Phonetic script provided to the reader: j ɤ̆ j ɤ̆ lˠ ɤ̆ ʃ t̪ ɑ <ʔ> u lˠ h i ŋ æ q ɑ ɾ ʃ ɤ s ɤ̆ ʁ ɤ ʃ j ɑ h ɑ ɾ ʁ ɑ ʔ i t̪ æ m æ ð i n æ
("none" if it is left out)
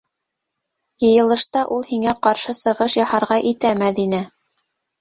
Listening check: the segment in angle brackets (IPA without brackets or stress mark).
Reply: ʔ